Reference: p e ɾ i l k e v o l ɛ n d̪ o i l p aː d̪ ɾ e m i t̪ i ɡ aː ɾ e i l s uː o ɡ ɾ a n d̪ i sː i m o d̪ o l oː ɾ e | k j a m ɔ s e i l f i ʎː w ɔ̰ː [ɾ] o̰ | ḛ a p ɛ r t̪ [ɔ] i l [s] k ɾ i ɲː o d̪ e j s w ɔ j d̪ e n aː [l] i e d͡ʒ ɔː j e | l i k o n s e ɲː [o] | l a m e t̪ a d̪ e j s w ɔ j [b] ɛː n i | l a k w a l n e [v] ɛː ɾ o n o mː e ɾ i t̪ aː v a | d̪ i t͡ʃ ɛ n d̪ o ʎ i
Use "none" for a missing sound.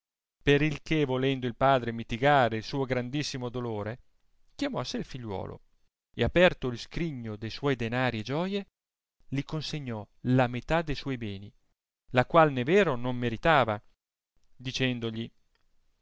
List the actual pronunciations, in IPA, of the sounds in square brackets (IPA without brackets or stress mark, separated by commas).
l, o, s, ɾ, ɔ, b, v